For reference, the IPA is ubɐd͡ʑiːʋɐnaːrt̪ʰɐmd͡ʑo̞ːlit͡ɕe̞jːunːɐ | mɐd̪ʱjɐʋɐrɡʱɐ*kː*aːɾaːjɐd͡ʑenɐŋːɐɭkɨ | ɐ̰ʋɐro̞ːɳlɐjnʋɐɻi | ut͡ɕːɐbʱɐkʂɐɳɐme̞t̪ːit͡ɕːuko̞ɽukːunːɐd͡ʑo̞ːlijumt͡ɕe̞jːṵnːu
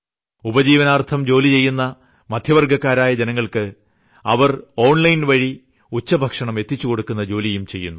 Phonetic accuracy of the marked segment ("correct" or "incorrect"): correct